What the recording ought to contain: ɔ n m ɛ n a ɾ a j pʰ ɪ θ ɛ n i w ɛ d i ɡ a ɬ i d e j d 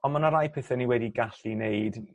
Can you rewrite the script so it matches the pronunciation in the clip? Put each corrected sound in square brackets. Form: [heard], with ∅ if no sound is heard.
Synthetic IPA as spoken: ɔ n m [a] n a ɾ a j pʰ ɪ θ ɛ n i w ɛ d i ɡ a ɬ i [n] e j d